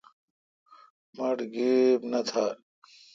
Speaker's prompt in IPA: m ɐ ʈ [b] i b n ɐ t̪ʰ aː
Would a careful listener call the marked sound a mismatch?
yes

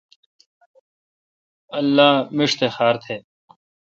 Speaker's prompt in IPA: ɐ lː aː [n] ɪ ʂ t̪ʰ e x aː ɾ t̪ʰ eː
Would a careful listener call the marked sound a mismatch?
yes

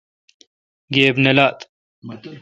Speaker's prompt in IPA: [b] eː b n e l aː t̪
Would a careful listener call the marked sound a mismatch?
yes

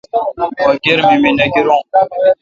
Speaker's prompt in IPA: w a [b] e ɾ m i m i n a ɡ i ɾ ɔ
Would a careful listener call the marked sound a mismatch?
yes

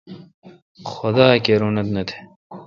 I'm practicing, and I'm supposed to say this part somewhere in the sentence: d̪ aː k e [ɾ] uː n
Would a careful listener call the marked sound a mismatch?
no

